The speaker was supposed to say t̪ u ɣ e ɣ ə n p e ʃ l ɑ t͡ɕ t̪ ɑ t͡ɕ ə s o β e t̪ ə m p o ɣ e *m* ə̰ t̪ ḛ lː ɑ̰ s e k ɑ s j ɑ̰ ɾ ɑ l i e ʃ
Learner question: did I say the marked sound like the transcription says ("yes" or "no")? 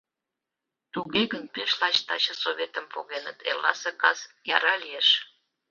no